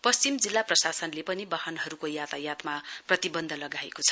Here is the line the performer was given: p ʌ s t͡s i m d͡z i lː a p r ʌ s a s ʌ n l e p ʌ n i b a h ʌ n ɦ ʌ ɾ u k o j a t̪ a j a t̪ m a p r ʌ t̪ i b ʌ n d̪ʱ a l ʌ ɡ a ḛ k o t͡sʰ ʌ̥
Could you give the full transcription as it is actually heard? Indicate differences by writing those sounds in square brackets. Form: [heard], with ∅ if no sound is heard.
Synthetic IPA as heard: p ʌ s t͡s i m d͡z i lː a p r ʌ s a s ʌ n l e p ʌ n i b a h ʌ n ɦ ʌ ɾ u k o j a t̪ a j a t̪ m a p r ʌ t̪ i b ʌ n d̪ʱ [ʌ] l ʌ ɡ a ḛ k o t͡sʰ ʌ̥